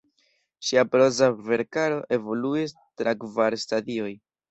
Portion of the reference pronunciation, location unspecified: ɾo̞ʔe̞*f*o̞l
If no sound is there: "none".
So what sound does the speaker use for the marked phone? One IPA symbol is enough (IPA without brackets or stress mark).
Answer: v